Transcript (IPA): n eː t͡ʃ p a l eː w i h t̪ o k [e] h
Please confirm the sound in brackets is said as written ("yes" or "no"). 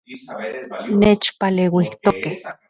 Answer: yes